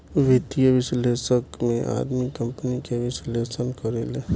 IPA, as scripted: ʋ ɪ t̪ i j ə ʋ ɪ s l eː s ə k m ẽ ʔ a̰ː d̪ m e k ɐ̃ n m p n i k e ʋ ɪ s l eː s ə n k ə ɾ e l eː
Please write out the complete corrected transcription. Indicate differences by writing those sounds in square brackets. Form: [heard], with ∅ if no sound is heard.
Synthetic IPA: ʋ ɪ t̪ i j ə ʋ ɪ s l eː s ə k m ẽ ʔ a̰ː d̪ m [i] k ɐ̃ [∅] m p n i k e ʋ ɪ s l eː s ə n k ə ɾ e l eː